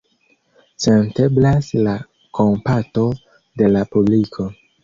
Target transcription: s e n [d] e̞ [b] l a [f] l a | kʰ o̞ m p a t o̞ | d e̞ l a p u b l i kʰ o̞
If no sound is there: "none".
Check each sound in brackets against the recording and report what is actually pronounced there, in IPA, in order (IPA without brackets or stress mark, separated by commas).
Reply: t, b, s